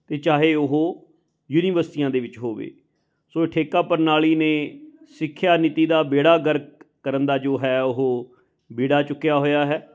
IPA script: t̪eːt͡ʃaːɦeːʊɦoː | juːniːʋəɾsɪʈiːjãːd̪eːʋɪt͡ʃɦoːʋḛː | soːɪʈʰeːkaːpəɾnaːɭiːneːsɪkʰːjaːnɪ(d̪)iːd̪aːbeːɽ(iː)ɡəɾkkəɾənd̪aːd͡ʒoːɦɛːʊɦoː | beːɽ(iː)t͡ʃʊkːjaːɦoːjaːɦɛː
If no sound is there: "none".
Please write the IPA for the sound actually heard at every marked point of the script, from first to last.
t̪, aː, aː

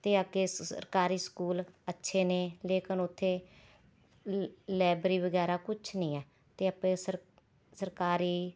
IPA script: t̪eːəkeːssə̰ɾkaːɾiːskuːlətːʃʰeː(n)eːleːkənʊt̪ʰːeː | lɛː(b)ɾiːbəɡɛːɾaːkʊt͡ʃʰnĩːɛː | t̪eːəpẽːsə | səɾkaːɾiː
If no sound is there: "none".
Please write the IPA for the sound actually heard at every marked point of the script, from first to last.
n, b

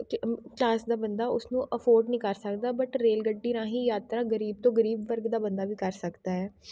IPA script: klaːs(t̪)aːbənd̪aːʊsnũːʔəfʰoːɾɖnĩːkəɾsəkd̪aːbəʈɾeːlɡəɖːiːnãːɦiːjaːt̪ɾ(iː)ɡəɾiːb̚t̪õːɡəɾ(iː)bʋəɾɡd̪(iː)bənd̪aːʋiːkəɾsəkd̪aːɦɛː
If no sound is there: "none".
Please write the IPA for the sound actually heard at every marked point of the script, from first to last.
d̪, aː, iː, aː

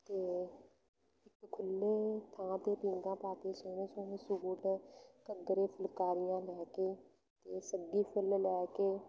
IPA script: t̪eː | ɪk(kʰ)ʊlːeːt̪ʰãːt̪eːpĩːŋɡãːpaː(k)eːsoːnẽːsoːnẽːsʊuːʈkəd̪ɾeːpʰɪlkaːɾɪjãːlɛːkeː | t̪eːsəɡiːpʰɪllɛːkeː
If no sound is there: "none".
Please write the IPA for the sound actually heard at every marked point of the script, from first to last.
kʰ, k

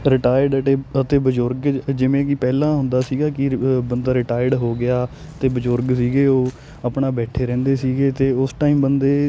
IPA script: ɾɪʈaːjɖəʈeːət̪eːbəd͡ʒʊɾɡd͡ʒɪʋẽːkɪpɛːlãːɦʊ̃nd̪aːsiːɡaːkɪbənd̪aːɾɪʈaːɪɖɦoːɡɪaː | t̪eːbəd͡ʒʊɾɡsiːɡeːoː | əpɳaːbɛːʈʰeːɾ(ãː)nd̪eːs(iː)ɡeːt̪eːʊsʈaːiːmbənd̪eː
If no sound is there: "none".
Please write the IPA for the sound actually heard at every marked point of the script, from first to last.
ɛ̃ː, iː

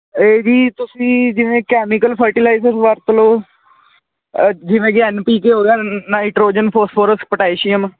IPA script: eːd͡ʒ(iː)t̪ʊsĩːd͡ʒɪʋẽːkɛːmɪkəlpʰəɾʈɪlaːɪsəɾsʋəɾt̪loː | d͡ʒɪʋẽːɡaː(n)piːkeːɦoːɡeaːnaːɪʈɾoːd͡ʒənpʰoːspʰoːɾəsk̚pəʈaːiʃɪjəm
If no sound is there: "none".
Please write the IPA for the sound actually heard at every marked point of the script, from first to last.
iː, n

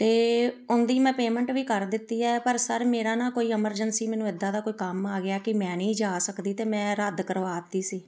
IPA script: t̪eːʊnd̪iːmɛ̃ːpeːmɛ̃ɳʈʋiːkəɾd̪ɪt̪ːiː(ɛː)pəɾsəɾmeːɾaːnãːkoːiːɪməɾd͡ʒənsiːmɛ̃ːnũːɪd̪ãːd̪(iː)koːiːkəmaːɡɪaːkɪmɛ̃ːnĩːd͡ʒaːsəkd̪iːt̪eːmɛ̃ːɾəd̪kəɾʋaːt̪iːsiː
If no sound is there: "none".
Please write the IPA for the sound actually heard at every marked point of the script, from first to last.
ɛː, aː

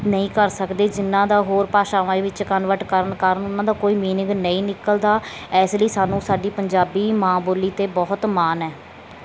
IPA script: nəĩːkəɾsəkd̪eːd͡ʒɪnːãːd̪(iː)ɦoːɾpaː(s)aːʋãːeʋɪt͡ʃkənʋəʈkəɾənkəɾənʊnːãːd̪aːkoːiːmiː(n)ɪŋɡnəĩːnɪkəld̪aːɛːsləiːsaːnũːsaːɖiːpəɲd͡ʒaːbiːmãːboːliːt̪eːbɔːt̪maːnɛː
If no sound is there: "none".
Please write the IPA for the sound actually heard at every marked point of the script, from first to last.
aː, ʃ, n

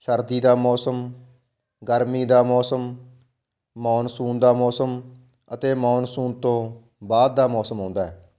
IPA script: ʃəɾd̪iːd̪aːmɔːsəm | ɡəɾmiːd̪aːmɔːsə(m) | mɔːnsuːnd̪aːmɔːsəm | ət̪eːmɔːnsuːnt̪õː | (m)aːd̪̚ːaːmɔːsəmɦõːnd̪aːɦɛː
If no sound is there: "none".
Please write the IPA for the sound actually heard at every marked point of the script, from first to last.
m, b

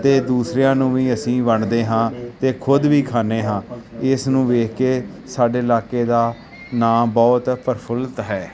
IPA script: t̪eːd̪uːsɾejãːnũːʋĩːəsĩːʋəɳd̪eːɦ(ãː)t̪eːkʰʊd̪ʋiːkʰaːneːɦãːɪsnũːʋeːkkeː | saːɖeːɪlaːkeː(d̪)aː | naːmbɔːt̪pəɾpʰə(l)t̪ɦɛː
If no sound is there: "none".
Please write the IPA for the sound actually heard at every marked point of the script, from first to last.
ãː, d̪, l

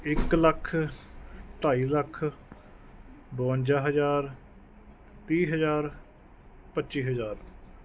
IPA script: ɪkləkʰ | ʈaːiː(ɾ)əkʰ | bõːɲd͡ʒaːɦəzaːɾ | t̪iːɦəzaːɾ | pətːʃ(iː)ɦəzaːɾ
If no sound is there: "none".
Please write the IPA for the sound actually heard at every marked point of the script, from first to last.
l, iː

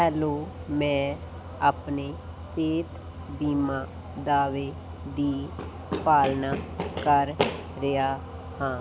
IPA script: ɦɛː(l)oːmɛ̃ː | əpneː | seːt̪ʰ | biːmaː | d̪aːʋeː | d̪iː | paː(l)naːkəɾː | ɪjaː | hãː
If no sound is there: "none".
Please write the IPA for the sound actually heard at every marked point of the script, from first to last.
l, l

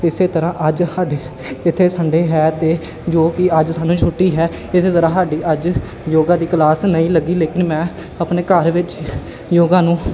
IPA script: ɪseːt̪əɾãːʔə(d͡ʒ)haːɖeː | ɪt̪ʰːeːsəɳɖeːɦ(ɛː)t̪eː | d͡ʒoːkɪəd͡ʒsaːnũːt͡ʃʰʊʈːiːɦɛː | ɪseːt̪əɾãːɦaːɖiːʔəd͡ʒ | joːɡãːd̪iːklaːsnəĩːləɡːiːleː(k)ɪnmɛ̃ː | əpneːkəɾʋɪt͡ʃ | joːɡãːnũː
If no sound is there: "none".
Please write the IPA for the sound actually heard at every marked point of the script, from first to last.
d͡ʒ, ɛː, k

